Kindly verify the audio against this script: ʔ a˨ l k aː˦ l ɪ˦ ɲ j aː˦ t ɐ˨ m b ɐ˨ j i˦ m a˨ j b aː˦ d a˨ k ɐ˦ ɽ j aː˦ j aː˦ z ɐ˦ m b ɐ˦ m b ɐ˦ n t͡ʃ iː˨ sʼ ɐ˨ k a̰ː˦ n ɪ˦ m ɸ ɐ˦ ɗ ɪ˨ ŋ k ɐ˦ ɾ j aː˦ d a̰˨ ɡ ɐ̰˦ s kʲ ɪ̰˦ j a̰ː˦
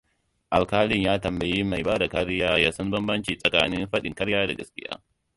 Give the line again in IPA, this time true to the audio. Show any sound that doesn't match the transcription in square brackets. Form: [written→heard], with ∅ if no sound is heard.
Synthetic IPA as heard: ʔ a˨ l k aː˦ l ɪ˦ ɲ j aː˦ t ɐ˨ m b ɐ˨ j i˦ m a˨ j b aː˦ d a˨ k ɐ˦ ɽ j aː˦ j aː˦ [z→s] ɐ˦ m b ɐ˦ m b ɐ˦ n t͡ʃ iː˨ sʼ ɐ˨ k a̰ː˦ n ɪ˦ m ɸ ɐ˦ ɗ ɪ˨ ŋ k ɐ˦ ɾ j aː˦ d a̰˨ ɡ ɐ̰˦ s kʲ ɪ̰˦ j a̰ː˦